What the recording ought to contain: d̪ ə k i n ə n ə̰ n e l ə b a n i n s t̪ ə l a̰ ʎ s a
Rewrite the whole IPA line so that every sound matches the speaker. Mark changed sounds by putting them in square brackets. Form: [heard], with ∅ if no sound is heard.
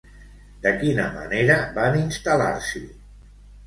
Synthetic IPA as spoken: d̪ ə k i n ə [m] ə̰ n e [ɾ] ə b a n i n s t̪ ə l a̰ [ɾ] s [i]